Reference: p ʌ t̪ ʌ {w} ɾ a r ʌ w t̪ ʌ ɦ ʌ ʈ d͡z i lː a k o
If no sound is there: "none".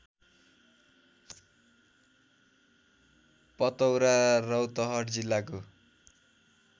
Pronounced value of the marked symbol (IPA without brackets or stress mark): w